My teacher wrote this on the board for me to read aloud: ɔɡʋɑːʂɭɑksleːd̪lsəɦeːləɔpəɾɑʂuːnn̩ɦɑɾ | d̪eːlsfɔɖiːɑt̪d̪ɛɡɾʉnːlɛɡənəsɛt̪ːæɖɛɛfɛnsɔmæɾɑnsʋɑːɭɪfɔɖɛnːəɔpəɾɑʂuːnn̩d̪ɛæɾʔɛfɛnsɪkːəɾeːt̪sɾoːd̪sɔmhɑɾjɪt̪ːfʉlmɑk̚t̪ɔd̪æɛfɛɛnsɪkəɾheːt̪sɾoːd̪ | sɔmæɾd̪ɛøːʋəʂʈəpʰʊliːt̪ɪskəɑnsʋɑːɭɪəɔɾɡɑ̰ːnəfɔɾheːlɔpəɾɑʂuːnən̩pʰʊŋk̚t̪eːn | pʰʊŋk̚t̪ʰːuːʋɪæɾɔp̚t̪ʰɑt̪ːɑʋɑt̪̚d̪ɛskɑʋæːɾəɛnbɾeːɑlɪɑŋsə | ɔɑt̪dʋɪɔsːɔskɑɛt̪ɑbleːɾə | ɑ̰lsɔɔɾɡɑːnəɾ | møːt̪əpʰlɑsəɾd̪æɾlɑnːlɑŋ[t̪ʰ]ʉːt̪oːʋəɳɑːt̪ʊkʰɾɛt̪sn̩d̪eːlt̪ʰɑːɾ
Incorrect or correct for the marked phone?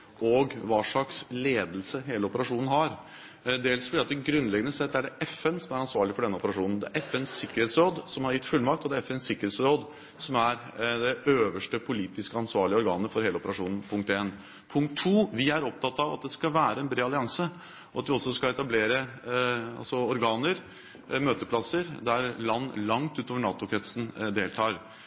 incorrect: t̪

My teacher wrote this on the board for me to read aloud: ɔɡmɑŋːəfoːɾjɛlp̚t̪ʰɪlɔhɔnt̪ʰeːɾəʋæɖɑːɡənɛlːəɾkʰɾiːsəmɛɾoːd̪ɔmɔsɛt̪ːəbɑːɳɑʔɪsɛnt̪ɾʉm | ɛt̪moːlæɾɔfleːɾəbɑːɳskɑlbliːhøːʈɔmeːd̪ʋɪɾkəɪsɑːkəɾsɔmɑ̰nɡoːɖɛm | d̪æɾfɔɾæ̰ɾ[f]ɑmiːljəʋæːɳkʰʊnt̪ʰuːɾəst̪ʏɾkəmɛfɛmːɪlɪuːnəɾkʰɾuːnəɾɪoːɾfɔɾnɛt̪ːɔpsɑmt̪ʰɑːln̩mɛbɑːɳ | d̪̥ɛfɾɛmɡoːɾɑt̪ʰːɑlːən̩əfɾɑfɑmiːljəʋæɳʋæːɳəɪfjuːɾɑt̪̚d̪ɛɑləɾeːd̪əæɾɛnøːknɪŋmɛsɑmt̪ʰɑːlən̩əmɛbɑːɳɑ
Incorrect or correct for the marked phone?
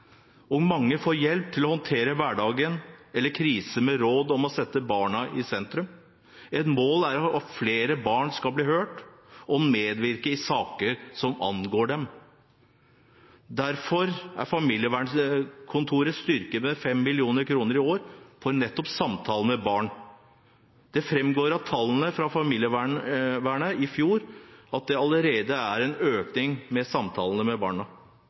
correct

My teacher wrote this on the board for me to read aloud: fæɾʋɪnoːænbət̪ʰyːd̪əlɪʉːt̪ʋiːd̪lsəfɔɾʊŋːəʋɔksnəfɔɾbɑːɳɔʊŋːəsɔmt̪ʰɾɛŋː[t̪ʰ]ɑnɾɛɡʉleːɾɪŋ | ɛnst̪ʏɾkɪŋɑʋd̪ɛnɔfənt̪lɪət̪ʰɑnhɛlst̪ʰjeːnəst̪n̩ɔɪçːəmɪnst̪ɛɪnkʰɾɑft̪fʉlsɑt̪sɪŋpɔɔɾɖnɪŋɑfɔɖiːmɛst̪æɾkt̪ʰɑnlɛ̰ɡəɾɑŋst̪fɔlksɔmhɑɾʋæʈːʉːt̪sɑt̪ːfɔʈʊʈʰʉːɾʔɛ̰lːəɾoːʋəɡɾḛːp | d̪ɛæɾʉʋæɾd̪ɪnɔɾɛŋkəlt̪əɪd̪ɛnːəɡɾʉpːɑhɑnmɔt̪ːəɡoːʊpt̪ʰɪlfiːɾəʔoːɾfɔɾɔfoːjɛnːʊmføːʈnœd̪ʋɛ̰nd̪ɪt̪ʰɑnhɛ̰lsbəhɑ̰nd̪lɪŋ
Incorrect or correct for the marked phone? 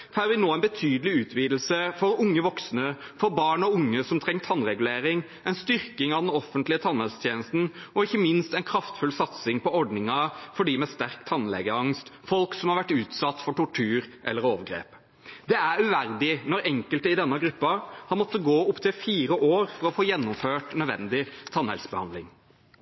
correct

